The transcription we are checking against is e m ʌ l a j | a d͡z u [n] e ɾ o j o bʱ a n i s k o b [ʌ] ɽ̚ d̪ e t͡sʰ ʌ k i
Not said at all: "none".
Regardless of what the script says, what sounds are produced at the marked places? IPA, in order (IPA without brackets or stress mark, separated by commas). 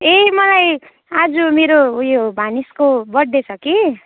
m, ʌ